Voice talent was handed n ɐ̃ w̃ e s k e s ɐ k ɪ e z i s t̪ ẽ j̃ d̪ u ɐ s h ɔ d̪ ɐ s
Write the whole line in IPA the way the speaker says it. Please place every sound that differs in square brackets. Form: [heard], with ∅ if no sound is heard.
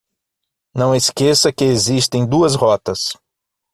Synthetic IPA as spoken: n ɐ̃ w̃ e s k e s ɐ k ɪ e z i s t̪ ẽ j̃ d̪ u ɐ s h ɔ [t̪] ɐ s